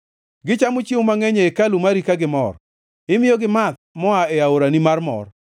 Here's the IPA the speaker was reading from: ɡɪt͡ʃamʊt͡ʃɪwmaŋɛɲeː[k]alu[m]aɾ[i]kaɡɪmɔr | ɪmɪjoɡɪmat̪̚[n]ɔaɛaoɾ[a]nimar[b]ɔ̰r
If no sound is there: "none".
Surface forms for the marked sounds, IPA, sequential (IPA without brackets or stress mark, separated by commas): k, m, i, m, a, m